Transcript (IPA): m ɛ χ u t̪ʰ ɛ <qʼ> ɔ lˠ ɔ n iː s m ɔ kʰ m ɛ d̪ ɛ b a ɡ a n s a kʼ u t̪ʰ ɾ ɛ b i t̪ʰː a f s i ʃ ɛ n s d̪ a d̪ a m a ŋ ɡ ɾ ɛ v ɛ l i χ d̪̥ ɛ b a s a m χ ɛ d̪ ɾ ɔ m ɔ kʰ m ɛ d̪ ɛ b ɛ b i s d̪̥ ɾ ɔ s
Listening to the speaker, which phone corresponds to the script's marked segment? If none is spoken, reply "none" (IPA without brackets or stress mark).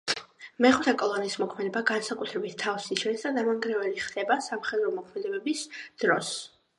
kʼ